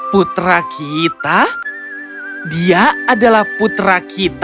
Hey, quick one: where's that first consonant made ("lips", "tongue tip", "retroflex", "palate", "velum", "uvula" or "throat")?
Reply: lips